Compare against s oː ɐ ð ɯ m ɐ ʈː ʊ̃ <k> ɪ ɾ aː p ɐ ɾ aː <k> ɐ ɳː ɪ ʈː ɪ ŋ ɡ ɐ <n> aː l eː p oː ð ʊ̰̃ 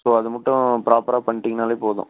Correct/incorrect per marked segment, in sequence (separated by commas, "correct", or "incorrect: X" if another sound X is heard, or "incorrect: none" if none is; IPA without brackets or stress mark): incorrect: p, incorrect: p, correct